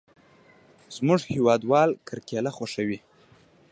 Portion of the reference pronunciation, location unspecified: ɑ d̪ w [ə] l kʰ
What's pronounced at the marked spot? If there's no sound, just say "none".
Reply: ɑ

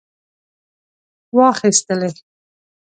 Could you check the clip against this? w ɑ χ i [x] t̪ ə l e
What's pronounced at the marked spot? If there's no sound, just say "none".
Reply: s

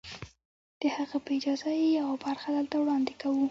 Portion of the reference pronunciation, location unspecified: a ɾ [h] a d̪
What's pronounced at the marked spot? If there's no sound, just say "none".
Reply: x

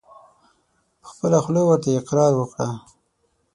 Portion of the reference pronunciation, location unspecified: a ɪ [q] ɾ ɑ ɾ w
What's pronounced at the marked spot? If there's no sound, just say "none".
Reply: q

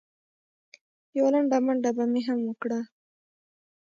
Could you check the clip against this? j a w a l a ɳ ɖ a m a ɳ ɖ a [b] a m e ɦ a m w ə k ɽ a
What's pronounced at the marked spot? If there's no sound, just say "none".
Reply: b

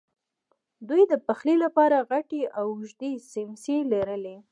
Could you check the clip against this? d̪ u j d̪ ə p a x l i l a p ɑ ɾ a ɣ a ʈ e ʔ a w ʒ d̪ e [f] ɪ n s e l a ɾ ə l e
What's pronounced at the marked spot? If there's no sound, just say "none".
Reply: s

